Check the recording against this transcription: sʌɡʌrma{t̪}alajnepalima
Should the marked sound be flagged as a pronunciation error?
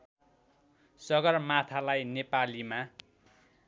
yes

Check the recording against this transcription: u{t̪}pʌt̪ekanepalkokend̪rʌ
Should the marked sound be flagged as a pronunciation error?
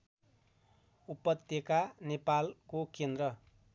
yes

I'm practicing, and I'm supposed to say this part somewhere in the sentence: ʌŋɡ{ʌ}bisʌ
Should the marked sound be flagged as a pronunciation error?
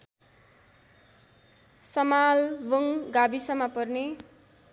yes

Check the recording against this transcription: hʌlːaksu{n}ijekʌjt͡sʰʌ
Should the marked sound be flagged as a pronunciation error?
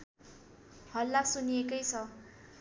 no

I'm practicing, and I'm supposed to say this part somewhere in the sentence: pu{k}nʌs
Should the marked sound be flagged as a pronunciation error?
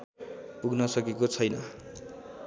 yes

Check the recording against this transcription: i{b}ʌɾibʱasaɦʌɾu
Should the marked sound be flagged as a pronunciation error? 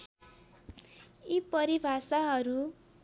yes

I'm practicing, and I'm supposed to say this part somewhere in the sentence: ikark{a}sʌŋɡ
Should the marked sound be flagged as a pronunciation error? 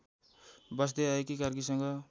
yes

